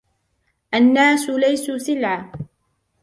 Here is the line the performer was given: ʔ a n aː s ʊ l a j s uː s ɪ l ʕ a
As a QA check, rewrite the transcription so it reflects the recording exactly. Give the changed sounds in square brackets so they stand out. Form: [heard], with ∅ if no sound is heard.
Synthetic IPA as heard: ʔ a [nː] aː s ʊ l a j s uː s ɪ l ʕ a